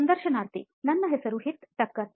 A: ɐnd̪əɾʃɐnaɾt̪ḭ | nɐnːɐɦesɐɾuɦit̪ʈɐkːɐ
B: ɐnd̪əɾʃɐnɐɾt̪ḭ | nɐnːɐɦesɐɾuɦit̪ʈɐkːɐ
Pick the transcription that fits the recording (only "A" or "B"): A